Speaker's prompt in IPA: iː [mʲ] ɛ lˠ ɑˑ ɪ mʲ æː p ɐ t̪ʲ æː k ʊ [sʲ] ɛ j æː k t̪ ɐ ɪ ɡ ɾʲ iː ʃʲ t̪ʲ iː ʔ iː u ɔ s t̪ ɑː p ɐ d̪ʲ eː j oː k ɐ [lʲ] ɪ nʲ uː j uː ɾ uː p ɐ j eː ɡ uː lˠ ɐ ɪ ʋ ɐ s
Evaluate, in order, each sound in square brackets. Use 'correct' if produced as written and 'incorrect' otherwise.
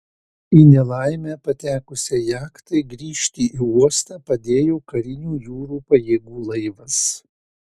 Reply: incorrect, correct, incorrect

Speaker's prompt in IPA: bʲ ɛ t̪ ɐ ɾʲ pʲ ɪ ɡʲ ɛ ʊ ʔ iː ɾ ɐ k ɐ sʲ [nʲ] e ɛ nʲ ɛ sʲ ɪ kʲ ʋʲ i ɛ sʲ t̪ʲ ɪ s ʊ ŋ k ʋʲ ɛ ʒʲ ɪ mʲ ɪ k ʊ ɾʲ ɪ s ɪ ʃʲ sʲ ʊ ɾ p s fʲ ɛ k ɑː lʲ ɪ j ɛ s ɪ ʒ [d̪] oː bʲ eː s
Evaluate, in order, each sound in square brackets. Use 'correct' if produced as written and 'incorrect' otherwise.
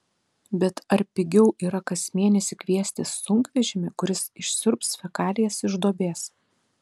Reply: incorrect, correct

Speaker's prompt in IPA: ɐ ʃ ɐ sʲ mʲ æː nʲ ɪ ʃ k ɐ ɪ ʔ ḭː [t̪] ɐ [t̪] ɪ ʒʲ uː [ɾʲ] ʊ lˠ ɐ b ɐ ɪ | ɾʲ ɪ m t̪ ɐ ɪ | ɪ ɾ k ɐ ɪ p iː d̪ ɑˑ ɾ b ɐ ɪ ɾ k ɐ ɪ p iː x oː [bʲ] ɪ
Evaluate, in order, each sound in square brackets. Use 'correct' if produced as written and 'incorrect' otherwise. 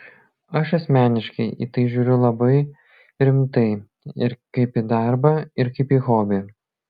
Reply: correct, incorrect, correct, correct

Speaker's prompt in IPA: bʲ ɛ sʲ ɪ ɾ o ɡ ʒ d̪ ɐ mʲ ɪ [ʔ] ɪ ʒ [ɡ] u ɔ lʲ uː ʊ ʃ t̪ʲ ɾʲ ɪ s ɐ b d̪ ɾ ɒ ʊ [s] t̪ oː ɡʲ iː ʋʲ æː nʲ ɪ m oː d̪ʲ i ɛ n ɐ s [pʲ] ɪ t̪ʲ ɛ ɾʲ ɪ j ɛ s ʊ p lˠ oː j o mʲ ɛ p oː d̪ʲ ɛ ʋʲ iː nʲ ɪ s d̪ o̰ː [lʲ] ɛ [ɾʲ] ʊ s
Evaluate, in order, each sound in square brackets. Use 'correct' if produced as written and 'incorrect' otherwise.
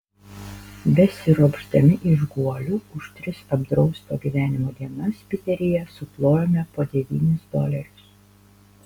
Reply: correct, correct, correct, correct, correct, correct

